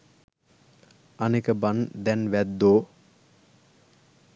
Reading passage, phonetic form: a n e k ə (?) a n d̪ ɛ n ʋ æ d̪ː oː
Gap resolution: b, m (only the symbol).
b